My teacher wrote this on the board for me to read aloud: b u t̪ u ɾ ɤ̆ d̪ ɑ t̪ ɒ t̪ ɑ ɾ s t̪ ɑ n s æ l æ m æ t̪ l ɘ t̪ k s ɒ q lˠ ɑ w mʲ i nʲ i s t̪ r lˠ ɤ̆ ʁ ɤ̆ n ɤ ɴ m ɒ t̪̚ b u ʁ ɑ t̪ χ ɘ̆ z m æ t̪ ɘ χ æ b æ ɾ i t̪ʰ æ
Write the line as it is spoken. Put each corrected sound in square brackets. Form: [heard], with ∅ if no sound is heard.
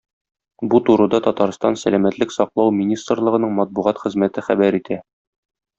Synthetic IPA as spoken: b u t̪ u ɾ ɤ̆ d̪ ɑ t̪ ɒ t̪ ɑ ɾ s t̪ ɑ n s æ l æ m æ t̪ l ɘ [∅] k s ɒ q lˠ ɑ w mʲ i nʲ i s t̪ r lˠ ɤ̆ ʁ ɤ̆ n ɤ ɴ m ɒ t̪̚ b u ʁ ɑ t̪ χ ɘ̆ z m æ t̪ ɘ χ æ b æ ɾ i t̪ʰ æ